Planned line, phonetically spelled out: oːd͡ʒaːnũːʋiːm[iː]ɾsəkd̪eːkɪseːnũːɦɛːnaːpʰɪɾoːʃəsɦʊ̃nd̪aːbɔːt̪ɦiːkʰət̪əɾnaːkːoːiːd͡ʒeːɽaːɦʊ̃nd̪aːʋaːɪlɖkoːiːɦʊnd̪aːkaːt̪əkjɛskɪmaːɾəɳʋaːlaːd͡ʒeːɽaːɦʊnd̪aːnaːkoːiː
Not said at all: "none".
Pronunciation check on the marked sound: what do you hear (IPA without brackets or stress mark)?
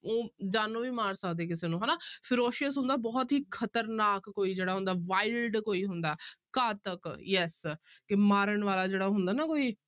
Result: aː